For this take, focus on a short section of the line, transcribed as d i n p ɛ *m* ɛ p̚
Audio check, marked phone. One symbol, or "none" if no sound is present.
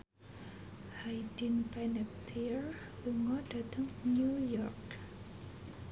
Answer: n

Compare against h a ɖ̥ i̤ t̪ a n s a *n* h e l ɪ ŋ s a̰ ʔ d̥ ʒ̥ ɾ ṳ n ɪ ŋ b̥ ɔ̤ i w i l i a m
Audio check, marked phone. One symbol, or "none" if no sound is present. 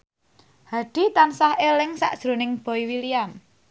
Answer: none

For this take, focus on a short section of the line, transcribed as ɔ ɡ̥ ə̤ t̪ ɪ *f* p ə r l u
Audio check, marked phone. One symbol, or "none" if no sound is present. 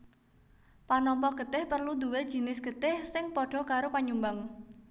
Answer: h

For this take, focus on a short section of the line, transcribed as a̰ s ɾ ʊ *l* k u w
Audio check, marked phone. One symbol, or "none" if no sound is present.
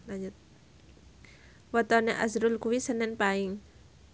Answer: l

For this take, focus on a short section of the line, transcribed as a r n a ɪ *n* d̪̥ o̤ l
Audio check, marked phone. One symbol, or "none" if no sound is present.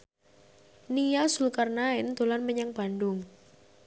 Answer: n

